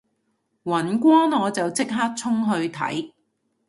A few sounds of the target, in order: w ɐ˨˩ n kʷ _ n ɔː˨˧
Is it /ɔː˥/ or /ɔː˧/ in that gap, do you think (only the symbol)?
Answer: ɔː˥